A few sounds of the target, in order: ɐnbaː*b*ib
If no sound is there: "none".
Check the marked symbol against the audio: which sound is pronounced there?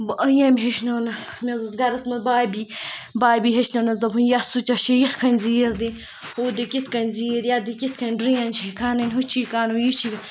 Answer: b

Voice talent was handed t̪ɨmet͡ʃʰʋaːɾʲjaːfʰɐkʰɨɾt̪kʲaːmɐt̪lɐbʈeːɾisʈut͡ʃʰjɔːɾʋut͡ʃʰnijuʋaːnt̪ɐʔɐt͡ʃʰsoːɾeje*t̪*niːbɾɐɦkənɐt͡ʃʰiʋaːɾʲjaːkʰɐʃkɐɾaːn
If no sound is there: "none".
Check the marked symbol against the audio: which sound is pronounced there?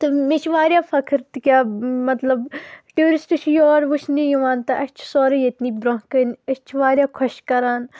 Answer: t̪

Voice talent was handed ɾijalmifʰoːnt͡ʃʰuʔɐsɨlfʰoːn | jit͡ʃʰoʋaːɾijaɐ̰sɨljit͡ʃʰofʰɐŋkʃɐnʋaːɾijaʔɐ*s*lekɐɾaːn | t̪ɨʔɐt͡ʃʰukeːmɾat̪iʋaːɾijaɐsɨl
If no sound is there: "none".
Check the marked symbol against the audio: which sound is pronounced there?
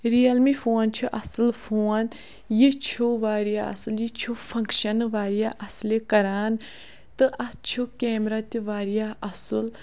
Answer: s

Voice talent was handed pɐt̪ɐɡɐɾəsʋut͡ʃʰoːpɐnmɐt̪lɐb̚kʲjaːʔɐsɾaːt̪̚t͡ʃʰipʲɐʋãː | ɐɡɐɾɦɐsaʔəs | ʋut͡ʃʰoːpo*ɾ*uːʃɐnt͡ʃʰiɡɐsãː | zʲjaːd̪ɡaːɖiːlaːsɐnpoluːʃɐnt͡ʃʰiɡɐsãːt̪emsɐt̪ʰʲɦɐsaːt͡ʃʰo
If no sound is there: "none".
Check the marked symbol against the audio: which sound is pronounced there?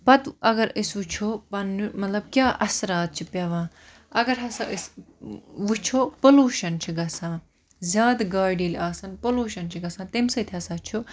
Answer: l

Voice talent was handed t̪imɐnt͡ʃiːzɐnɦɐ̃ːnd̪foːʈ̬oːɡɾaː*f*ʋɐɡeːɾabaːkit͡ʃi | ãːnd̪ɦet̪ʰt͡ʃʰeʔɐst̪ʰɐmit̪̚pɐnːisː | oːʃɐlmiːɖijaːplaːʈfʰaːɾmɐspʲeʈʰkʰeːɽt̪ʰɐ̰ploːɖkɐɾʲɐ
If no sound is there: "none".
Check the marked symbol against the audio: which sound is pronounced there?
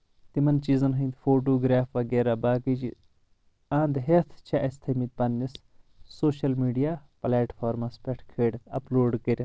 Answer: f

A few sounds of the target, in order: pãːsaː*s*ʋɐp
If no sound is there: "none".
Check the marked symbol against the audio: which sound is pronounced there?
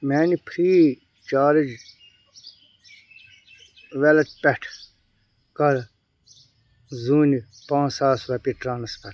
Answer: s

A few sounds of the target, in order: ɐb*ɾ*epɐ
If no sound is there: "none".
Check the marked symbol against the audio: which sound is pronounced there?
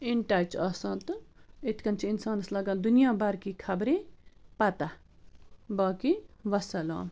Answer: ɾ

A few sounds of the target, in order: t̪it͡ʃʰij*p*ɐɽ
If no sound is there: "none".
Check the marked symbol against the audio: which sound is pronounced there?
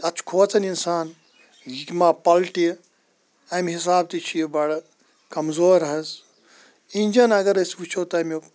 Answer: b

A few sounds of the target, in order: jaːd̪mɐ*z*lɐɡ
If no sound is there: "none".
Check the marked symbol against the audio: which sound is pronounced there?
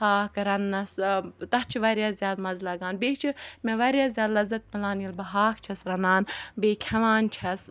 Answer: z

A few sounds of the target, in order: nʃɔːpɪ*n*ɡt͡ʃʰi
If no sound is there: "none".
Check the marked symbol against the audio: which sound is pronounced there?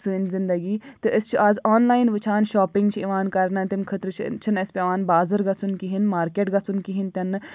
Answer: ŋ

